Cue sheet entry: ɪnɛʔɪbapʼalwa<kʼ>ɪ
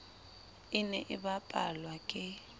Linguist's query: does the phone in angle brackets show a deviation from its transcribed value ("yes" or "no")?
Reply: no